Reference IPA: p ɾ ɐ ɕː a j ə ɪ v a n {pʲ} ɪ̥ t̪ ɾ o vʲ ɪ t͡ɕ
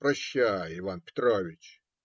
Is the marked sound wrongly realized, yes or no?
no